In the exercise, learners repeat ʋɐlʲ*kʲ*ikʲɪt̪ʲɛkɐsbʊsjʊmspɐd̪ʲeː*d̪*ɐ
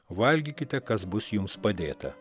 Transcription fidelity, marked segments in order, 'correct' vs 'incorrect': incorrect, incorrect

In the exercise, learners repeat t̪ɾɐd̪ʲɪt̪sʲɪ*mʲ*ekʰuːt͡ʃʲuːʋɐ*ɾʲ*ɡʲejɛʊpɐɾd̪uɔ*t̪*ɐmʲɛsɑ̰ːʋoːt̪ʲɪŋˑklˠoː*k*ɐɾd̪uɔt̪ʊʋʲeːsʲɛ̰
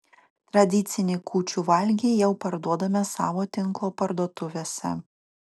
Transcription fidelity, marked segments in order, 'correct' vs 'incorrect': incorrect, incorrect, incorrect, incorrect

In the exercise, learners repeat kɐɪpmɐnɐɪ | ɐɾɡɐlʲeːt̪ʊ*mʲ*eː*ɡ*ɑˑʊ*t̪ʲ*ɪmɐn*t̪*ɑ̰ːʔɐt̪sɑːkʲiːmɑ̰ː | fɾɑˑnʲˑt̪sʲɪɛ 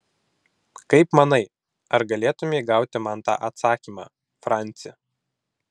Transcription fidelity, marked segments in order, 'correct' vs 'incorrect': correct, correct, correct, correct

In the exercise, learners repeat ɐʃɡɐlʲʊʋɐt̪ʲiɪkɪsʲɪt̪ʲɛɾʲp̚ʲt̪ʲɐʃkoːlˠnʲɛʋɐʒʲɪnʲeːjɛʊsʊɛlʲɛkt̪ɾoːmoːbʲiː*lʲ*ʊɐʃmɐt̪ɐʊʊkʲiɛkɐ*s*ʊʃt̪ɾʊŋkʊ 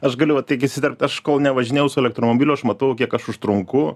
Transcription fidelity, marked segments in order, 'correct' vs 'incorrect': correct, incorrect

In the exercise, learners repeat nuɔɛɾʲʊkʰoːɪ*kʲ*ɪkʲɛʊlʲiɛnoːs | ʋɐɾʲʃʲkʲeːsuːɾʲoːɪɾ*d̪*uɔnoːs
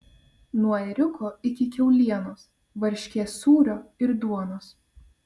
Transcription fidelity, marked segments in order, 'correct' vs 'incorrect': correct, correct

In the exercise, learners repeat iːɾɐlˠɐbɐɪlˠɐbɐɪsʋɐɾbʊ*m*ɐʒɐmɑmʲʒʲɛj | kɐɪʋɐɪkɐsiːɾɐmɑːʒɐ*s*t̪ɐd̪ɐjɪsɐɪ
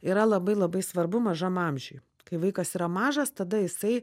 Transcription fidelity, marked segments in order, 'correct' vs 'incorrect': correct, correct

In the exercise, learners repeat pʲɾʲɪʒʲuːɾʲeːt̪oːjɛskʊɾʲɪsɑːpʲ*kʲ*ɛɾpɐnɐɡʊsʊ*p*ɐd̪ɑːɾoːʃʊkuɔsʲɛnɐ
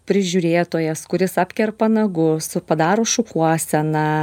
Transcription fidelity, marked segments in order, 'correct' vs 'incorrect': correct, correct

